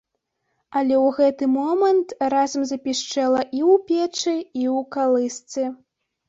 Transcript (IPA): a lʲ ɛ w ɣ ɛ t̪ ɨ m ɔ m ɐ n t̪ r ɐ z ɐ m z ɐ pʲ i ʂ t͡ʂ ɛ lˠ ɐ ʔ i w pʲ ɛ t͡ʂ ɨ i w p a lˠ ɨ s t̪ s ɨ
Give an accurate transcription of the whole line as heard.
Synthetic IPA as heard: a lʲ ɛ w ɣ ɛ t̪ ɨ m ɔ m ɐ n t̪ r a z ɐ m z ɐ pʲ i ʂ t͡ʂ ɛ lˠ ɐ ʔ i w pʲ ɛ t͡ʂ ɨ i w k a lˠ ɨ s t̪ s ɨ